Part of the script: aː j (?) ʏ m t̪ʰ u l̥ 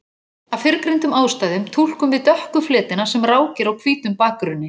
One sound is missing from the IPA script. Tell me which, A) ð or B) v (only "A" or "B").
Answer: A